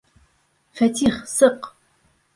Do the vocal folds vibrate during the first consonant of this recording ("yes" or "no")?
no